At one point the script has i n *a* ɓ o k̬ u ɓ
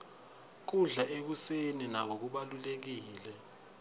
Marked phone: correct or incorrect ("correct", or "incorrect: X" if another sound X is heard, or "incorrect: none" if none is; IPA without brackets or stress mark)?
correct